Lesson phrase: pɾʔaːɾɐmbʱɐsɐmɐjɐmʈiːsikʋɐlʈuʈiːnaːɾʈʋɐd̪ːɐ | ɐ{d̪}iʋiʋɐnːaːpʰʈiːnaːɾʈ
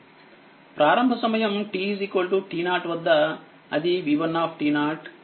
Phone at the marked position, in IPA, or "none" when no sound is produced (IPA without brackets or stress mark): d̪